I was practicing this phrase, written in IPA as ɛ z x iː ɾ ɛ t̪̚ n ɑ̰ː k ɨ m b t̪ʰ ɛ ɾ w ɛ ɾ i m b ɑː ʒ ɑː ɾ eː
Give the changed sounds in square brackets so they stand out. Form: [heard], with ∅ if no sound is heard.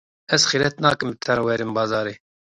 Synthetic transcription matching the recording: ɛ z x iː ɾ ɛ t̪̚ n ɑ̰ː k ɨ m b t̪ʰ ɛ ɾ w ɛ ɾ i m b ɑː [z] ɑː ɾ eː